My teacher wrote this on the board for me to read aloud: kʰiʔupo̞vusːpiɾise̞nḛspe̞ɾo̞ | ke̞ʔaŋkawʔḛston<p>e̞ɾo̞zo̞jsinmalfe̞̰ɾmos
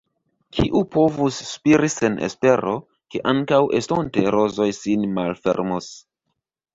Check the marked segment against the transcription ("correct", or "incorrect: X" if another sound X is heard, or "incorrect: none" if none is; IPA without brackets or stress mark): incorrect: t